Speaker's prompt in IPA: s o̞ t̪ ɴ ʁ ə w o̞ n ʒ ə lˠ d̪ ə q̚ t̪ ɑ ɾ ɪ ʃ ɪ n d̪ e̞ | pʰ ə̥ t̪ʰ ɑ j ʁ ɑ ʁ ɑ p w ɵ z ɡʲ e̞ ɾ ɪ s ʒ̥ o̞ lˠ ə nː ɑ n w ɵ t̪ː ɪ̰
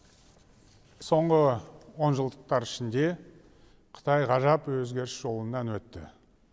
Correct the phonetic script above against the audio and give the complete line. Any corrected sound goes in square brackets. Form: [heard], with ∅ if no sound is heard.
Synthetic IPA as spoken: s o̞ [∅] ɴ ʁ ə w o̞ n ʒ ə lˠ d̪ ə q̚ t̪ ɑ ɾ ɪ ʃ ɪ n d̪ e̞ | [qʰ] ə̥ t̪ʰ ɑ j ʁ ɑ [ʒ] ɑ p w ɵ z ɡʲ e̞ ɾ ɪ s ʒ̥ o̞ lˠ ə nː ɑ n w ɵ t̪ː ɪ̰

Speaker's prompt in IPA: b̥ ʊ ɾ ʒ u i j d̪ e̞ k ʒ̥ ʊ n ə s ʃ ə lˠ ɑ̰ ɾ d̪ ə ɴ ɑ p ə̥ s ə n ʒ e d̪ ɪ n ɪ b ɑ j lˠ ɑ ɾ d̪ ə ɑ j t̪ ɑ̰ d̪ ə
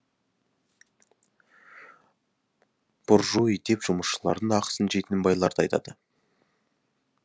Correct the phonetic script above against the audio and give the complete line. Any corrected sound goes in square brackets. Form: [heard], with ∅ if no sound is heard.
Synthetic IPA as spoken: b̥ ʊ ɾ ʒ u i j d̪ e̞ [p] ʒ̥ ʊ [m] ə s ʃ ə lˠ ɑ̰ ɾ d̪ ə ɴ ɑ [q] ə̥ s ə n ʒ e [t̪] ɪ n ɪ b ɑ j lˠ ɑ ɾ d̪ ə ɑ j t̪ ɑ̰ d̪ ə

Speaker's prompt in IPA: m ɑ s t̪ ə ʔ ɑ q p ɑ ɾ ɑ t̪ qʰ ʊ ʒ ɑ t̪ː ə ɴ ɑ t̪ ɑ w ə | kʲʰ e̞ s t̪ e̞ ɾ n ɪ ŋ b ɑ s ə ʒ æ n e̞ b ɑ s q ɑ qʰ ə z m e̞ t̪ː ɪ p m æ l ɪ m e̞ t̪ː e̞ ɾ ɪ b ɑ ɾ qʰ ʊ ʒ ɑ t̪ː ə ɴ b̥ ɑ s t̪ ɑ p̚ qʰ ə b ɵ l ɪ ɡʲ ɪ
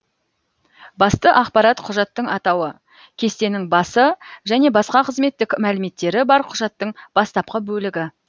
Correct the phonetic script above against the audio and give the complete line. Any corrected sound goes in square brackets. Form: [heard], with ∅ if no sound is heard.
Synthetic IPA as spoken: [b] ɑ s t̪ ə ʔ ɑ q p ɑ ɾ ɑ t̪ qʰ ʊ ʒ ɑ t̪ː ə ɴ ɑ t̪ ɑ w ə | kʲʰ e̞ s t̪ e̞ [∅] n ɪ ŋ b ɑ s ə ʒ æ n e̞ b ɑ s q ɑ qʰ ə z m e̞ t̪ː ɪ [k] m æ l ɪ m e̞ t̪ː e̞ ɾ ɪ b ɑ ɾ qʰ ʊ ʒ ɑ t̪ː ə ɴ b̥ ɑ s t̪ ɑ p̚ [q] ə b ɵ l ɪ ɡʲ ɪ

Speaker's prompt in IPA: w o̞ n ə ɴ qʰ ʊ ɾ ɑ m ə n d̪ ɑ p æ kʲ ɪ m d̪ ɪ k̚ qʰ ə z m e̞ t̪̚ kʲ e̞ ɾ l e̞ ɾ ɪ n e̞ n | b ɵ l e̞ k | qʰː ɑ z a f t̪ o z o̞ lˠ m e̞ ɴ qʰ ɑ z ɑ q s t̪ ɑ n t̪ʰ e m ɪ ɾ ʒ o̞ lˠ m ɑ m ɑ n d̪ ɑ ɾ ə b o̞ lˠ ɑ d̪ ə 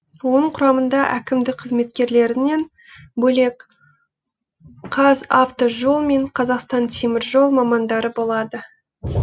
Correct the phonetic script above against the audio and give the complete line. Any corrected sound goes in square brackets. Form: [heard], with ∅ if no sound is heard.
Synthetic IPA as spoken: w o̞ n ə ɴ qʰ ʊ ɾ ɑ m ə n d̪ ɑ [ʔ] æ kʲ ɪ m d̪ ɪ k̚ qʰ ə z m e̞ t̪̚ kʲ e̞ ɾ l e̞ ɾ ɪ n e̞ n | b ɵ l e̞ k | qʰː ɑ z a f t̪ o [ʒ] o̞ lˠ m e̞ ɴ qʰ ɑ z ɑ q s t̪ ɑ n t̪ʰ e m ɪ ɾ ʒ o̞ lˠ m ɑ m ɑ n d̪ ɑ ɾ ə b o̞ lˠ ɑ d̪ ə

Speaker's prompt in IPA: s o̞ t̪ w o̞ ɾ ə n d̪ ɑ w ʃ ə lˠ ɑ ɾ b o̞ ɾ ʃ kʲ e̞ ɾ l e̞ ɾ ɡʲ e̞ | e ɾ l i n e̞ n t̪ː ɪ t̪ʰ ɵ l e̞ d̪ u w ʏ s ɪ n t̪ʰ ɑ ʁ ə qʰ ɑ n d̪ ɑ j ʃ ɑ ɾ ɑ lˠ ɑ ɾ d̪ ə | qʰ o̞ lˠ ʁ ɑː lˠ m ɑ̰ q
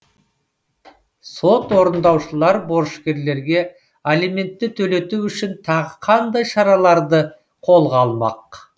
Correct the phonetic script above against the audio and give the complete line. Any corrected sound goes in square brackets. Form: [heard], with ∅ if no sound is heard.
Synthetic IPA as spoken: s o̞ t̪ w o̞ ɾ ə n d̪ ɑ w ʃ ə lˠ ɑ ɾ b o̞ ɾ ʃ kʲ e̞ ɾ l e̞ ɾ ɡʲ e̞ | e [∅] l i [m] e̞ n t̪ː ɪ t̪ʰ ɵ l e̞ [t̪] u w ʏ [ʃ] ɪ n t̪ʰ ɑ ʁ ə qʰ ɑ n d̪ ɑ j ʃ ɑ ɾ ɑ lˠ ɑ ɾ d̪ ə | qʰ o̞ lˠ ʁ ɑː lˠ m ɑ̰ q

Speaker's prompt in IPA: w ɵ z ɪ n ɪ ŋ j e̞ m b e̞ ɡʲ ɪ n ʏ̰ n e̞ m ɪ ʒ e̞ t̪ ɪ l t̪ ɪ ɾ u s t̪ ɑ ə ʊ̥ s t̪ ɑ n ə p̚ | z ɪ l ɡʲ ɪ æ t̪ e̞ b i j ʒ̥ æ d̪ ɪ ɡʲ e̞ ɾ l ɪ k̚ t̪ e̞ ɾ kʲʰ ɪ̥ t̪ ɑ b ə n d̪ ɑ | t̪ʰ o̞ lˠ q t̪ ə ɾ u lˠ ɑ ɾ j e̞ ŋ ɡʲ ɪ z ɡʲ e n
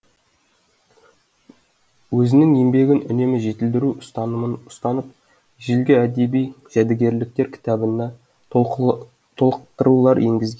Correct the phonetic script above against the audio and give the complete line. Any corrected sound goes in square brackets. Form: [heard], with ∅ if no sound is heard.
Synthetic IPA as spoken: w ɵ z ɪ n ɪ ŋ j e̞ m b e̞ ɡʲ ɪ n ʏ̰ n e̞ m ɪ ʒ e̞ t̪ ɪ l [d̪] ɪ ɾ u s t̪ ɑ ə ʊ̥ s t̪ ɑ n ə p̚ | [ʒ] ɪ l ɡʲ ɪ æ [d̪] e̞ b i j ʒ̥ æ d̪ ɪ ɡʲ e̞ ɾ l ɪ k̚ t̪ e̞ ɾ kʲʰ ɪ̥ t̪ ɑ b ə n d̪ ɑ | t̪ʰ o̞ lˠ q t̪ ə ɾ u lˠ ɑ ɾ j e̞ ŋ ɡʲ ɪ z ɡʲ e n

